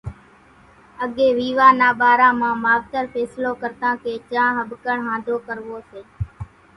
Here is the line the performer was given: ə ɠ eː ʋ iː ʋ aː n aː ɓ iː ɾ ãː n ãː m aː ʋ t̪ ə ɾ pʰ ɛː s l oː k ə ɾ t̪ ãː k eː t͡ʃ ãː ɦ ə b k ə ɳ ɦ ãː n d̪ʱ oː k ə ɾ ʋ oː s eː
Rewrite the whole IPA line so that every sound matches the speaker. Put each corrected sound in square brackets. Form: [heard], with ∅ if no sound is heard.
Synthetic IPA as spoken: ə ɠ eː ʋ iː ʋ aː n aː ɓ [aː] ɾ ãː [m] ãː m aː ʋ t̪ ə ɾ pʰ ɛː s l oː k ə ɾ t̪ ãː k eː t͡ʃ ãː ɦ ə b k ə ɳ ɦ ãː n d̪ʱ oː k ə ɾ ʋ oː s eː